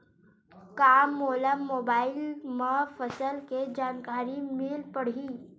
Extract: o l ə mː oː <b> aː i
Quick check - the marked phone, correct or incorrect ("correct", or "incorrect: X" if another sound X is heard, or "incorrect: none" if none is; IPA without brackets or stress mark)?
correct